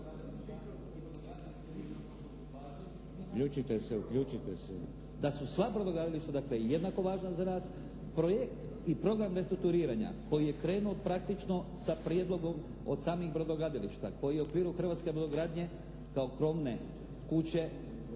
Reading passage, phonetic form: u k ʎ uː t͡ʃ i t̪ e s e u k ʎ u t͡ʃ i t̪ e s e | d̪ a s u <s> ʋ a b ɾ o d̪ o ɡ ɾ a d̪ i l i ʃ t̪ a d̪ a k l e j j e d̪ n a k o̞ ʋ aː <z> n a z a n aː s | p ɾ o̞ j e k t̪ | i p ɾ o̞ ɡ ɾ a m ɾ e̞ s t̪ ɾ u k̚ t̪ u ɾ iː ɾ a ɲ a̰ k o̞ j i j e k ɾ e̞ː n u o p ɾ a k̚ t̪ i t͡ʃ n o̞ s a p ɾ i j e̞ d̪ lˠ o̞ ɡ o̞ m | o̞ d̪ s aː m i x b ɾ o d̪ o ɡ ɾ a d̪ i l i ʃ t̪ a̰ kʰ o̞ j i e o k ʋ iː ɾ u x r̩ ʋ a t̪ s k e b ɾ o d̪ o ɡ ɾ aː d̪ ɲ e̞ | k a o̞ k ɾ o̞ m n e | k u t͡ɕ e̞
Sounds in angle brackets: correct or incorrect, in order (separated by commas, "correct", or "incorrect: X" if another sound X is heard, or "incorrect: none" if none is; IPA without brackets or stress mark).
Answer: correct, incorrect: ʒ